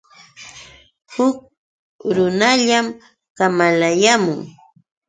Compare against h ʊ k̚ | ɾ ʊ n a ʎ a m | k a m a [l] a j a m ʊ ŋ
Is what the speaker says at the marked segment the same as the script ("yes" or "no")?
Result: yes